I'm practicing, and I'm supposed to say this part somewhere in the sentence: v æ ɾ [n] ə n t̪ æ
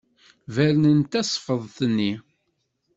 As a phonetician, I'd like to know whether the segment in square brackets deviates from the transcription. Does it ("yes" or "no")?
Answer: no